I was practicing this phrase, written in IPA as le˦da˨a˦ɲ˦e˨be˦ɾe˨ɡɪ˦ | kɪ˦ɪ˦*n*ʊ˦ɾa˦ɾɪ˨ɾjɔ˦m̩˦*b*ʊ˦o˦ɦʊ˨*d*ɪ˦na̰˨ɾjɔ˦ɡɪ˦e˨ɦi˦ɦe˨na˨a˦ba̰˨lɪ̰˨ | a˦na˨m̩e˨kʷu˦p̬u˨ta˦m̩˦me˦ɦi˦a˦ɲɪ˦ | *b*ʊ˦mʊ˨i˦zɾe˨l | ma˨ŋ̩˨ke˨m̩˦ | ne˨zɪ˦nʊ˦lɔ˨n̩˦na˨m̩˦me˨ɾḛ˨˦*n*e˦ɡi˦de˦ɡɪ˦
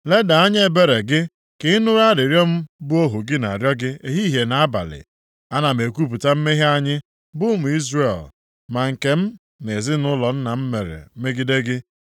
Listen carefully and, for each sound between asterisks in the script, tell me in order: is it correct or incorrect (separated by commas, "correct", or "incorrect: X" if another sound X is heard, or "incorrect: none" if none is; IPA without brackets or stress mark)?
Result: correct, correct, incorrect: ɡ, correct, incorrect: m